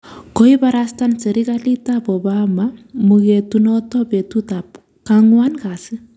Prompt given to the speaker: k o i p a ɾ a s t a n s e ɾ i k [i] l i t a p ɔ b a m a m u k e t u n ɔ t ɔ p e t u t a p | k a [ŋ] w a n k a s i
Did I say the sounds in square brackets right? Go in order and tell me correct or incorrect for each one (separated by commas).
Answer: incorrect, correct